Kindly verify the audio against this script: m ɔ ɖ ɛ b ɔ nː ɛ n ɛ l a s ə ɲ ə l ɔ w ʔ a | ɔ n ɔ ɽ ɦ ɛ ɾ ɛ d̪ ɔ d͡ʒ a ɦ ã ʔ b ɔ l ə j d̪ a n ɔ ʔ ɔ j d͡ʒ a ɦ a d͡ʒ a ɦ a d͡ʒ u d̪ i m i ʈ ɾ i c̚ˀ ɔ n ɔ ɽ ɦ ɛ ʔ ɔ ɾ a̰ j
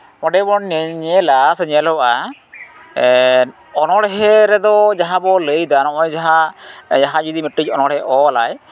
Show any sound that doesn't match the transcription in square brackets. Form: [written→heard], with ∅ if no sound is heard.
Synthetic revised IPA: m ɔ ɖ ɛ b ɔ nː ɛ [n→ɲ] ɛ l a s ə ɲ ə l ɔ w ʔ a | ɔ n ɔ ɽ ɦ ɛ ɾ ɛ d̪ ɔ d͡ʒ a ɦ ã [ʔ→∅] b ɔ l ə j d̪ a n ɔ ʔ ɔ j d͡ʒ a ɦ a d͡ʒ a ɦ a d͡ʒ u d̪ i m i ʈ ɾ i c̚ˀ ɔ n ɔ ɽ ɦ ɛ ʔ ɔ [ɾ→l] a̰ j